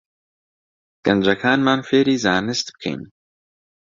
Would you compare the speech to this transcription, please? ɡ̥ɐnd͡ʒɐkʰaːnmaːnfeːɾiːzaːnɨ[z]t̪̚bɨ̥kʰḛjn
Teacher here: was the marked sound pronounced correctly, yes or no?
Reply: no